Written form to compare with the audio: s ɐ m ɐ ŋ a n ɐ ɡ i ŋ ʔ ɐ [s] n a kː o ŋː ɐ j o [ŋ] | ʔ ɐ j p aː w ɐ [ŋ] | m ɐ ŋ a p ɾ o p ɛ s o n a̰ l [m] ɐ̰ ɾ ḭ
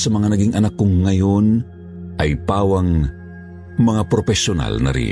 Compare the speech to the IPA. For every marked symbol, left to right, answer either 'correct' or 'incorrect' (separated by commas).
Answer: incorrect, incorrect, correct, incorrect